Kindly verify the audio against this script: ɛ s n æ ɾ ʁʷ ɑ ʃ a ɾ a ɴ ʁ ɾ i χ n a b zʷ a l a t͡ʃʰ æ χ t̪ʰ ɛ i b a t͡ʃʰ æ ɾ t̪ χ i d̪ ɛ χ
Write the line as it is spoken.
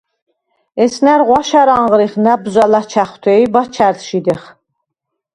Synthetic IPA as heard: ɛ s n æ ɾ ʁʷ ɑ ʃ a ɾ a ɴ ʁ ɾ i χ n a b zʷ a l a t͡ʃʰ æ χ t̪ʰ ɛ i b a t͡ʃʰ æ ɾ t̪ ʃ i d̪ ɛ χ